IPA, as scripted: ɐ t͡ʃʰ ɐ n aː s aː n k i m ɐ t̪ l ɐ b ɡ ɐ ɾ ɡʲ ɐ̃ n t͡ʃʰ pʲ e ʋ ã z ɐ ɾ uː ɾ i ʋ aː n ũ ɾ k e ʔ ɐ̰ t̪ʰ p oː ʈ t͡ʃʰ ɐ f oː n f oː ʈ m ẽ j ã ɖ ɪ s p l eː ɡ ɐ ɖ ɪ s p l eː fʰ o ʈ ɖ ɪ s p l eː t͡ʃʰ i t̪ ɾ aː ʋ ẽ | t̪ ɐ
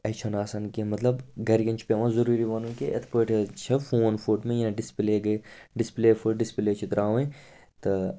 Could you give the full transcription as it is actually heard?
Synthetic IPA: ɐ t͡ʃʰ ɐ n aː s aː n k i m ɐ t̪ l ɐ b ɡ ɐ ɾ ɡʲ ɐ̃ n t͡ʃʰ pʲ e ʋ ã z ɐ ɾ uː ɾ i ʋ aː n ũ k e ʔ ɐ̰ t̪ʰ p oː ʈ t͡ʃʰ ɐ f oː n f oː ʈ m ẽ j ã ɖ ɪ s p l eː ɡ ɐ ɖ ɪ s p l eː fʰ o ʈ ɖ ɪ s p l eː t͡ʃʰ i t̪ ɾ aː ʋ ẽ | t̪ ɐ